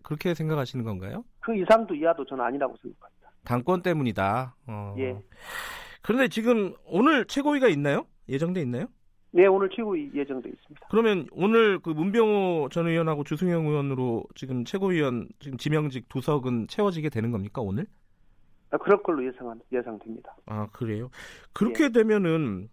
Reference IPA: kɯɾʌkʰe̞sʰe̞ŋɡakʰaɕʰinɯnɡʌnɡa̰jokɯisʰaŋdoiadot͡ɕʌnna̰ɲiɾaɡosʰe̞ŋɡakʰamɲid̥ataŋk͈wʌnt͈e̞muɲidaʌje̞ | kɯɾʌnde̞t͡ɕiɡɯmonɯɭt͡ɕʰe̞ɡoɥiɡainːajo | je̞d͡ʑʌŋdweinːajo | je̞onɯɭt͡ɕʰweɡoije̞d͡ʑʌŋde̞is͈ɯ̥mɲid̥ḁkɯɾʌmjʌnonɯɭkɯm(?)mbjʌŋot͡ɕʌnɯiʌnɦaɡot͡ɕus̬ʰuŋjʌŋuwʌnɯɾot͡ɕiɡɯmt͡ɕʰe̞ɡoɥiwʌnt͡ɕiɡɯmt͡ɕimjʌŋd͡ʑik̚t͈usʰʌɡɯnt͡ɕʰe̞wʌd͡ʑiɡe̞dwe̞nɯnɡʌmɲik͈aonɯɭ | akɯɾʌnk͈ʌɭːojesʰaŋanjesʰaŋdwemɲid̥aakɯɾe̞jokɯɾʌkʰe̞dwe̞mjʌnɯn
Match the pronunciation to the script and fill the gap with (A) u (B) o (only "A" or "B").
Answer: A